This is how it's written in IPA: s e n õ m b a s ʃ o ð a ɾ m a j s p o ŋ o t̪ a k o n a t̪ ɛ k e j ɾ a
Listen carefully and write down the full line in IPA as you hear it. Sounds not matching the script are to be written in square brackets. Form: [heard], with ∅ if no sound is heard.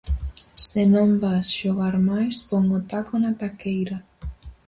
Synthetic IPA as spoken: s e n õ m b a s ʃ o [ɣ] a ɾ m a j s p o ŋ o t̪ a k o n a t̪ [a] k e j ɾ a